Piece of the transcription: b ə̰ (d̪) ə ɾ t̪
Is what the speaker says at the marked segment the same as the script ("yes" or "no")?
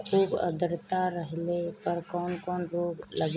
yes